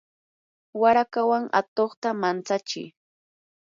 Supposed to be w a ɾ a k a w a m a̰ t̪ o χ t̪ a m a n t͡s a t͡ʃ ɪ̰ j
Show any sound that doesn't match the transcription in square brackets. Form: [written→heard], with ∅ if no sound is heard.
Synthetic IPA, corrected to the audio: w a ɾ a k a w a [m→ŋ] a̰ t̪ o χ t̪ a m a n t͡s a t͡ʃ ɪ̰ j